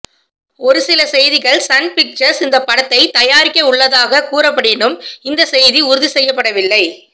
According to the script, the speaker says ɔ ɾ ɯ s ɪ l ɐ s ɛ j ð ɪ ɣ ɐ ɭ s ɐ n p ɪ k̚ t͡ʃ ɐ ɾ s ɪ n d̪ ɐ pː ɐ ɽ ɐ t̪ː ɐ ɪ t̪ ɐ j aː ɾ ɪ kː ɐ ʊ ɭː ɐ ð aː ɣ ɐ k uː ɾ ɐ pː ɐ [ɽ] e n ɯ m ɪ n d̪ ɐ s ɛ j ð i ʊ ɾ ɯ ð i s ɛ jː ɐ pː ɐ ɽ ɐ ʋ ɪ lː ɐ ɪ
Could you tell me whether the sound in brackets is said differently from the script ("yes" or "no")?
no